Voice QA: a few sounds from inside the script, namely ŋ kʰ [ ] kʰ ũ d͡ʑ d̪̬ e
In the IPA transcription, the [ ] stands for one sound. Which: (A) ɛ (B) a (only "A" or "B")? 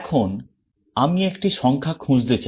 B